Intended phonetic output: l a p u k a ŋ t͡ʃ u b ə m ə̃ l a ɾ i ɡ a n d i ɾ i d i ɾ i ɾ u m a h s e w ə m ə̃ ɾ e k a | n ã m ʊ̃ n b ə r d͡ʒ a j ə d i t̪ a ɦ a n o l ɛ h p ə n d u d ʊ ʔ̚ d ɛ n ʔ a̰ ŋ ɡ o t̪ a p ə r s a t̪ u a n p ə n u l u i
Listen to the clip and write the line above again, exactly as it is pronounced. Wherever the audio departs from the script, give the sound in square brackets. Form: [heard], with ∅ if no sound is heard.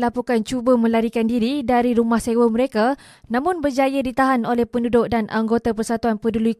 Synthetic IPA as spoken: l a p u k a [n] t͡ʃ u b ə m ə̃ l a ɾ i [k] a n d i ɾ i d [a] ɾ i ɾ u m a h s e w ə m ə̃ ɾ e k a | n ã m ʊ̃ n b ə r d͡ʒ a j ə d i t̪ a ɦ a n o l ɛ h p ə n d u d ʊ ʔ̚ d [a] n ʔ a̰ ŋ ɡ o t̪ a p ə r s a t̪ u a n p ə [d] u l u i